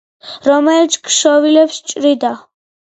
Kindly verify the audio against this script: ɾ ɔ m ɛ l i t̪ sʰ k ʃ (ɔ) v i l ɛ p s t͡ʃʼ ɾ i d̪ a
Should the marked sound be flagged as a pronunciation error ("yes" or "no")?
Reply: no